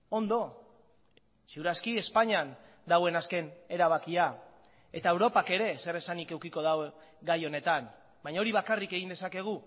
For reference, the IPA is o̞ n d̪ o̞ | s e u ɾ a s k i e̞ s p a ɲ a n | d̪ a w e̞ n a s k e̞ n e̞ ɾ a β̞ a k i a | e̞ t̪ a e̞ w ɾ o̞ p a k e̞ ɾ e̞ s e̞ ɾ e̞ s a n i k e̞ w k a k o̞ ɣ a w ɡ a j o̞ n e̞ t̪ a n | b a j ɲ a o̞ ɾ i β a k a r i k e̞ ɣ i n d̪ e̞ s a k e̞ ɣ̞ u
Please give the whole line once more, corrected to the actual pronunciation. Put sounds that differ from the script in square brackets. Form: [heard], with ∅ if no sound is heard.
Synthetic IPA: o̞ n d̪ o̞ | s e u ɾ a s k i e̞ s p a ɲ a n | d̪ a w e̞ n a s k e̞ n e̞ ɾ a β̞ a k i a | e̞ t̪ a e̞ w ɾ o̞ p a k e̞ ɾ e̞ s e̞ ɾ e̞ s a n i k e̞ w k [i] k o̞ [ð] a w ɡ a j o̞ n e̞ t̪ a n | b a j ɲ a o̞ ɾ i β a k a r i k e̞ ɣ i n d̪ e̞ s a k e̞ ɣ̞ u